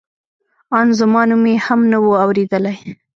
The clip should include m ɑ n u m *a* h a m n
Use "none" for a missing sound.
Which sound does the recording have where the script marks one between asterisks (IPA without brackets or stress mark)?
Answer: e